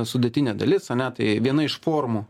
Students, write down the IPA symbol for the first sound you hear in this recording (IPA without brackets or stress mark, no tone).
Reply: s